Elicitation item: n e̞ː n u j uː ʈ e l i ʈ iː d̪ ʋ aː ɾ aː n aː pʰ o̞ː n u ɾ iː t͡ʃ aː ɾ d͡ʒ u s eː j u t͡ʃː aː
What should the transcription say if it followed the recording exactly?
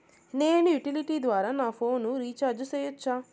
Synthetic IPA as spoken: n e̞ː n u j u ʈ i l i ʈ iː d̪ ʋ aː ɾ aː n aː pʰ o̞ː n u ɾ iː t͡ʃ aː ɾ d͡ʒ u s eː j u t͡ʃː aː

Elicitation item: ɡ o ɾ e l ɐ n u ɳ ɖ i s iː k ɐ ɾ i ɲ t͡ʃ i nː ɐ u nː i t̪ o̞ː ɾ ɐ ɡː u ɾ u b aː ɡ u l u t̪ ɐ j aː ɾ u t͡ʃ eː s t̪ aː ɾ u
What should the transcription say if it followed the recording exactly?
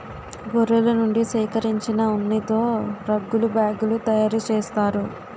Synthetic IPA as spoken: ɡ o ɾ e l ɐ n u ɳ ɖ i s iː k ɐ ɾ i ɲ t͡ʃ i n ɐ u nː i t̪ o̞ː ɾ ɐ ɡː u l u b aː ɡ u l u t̪ ɐ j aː ɾ u t͡ʃ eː s t̪ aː ɾ u

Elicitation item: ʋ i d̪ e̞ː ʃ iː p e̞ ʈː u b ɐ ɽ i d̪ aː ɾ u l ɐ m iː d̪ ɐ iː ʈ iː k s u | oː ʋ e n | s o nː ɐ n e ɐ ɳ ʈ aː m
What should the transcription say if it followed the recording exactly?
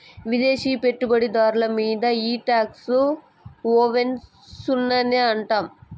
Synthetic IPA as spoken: ʋ i d̪ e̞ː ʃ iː p e̞ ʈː u b ɐ ɽ i d̪ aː ɾ u l ɐ m iː d̪ ɐ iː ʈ aː k s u | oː ʋ e n | s u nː ɐ n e ɐ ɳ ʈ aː m

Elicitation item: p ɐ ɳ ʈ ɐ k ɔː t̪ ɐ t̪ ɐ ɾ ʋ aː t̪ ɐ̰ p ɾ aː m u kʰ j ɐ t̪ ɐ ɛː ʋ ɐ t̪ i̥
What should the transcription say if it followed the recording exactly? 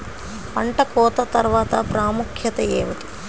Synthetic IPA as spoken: p ɐ ɳ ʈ ɐ k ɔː t̪ ɐ t̪ ɐ ɾ ʋ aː t̪ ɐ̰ p ɾ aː m u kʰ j ɐ t̪ ɐ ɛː ʋ ɐ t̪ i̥

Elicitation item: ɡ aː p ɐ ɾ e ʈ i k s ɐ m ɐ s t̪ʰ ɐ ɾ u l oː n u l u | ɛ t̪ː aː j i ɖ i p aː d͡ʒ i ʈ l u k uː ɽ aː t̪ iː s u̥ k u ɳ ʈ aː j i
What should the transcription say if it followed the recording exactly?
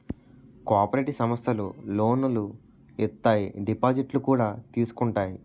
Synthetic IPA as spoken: k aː p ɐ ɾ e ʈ i s ɐ m ɐ s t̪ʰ ɐ l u l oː n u l u | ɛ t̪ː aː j i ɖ i p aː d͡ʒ i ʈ l u k uː ɽ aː t̪ iː s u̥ k u ɳ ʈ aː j i

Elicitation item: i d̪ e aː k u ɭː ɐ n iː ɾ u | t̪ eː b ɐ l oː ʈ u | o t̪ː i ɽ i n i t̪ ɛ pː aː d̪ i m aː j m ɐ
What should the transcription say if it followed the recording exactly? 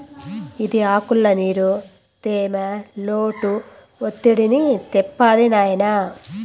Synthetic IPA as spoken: i d̪ i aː k u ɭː ɐ n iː ɾ u | t̪ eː m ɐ l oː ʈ u | o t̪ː i ɽ i n i t̪ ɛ pː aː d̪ i n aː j n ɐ

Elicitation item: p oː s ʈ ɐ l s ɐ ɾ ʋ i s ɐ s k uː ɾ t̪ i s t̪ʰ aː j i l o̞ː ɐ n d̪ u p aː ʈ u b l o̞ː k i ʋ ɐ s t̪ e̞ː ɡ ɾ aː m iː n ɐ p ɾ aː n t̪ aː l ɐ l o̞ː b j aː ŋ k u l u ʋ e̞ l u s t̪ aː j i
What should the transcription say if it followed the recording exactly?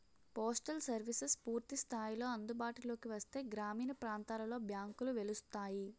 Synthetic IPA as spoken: p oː s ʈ ɐ l s ɐ ɾ ʋ i s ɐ s p uː ɾ t̪ i s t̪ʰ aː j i l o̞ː ɐ n d̪ u b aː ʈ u l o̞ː k i ʋ ɐ s t̪ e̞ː ɡ ɾ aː m iː n ɐ p ɾ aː n t̪ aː l ɐ l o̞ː b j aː ŋ k u l u ʋ e̞ l u s t̪ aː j i

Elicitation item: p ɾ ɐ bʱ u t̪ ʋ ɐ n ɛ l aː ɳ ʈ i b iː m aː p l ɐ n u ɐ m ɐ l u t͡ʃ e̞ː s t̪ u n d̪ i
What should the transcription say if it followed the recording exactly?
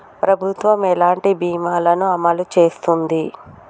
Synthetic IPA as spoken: p ɾ ɐ bʱ u t̪ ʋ ɐ m ɛ l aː ɳ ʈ i b iː m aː l ɐ n u ɐ m ɐ l u t͡ʃ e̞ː s t̪ u n d̪ i

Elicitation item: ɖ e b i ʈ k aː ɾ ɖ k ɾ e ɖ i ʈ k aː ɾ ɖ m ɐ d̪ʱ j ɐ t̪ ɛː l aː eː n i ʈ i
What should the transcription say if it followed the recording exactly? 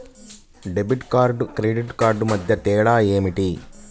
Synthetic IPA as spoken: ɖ e b i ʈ k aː ɾ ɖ k ɾ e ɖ i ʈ k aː ɾ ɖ m ɐ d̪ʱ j ɐ t̪ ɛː ɽ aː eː m i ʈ i

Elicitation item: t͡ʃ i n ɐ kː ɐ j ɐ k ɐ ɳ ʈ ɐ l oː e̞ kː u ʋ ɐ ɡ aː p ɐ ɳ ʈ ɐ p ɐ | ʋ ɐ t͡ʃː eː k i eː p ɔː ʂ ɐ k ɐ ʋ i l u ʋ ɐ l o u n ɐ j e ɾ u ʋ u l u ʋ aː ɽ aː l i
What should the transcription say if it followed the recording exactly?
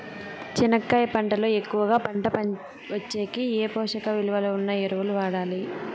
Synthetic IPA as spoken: t͡ʃ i n ɐ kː ɐ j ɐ p ɐ ɳ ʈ ɐ l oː e̞ kː u ʋ ɐ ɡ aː p ɐ ɳ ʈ ɐ p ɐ | ʋ ɐ t͡ʃː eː k i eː p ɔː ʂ ɐ k ɐ ʋ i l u ʋ ɐ l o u nː ɐ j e ɾ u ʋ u l u ʋ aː ɽ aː l i

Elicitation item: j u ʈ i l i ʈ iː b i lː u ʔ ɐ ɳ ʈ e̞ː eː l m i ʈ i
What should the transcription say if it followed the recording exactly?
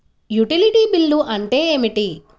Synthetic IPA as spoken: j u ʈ i l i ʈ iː b i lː u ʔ ɐ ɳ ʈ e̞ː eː m i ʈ i

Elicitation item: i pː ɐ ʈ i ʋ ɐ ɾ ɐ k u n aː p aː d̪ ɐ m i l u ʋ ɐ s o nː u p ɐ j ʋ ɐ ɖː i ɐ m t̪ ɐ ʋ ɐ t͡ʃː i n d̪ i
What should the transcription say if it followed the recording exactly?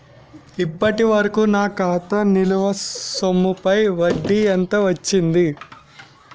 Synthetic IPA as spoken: i pː ɐ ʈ i ʋ ɐ ɾ ɐ k u n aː k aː t̪ ɐ n i l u ʋ ɐ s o mː u p ɐ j ʋ ɐ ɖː i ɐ n t̪ ɐ ʋ ɐ t͡ʃː i n d̪ i

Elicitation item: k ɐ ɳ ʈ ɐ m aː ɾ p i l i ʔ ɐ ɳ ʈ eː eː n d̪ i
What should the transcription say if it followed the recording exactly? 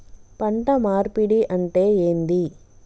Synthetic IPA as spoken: p ɐ ɳ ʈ ɐ m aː ɾ p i ɽ i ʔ ɐ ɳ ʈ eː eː n d̪ i

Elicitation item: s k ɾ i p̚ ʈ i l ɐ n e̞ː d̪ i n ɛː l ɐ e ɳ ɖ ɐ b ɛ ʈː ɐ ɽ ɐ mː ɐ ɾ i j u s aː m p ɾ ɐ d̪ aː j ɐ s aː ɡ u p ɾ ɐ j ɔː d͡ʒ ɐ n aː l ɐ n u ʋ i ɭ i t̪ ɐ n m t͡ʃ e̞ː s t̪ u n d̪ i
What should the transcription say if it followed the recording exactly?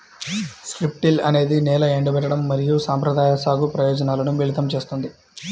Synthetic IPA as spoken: s k ɾ i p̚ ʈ i l ɐ n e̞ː d̪ i n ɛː l ɐ e ɳ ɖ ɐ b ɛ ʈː ɐ ɽ ɐ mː ɐ ɾ i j u s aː m p ɾ ɐ d̪ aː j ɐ s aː ɡ u p ɾ ɐ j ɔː d͡ʒ ɐ n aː l ɐ n u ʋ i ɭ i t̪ ɐ m t͡ʃ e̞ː s t̪ u n d̪ i

